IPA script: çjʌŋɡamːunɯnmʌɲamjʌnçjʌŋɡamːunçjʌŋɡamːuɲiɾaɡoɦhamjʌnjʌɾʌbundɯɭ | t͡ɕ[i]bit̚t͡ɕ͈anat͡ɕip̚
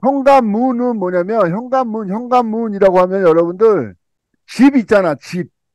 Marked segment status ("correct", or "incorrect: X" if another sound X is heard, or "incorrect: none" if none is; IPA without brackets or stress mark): correct